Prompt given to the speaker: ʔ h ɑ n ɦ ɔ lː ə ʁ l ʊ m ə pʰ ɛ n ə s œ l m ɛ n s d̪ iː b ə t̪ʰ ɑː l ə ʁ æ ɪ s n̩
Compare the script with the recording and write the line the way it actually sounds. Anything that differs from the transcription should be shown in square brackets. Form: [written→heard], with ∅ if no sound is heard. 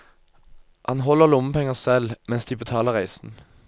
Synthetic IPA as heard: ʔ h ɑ n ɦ ɔ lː ə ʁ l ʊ m ə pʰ ɛ [n→ŋ] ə s [œ→ɛ] l m ɛ n s d̪ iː b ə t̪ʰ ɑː l ə ʁ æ ɪ s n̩